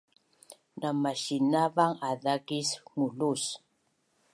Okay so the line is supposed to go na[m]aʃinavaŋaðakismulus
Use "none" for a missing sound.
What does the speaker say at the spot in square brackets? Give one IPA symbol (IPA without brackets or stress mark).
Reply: m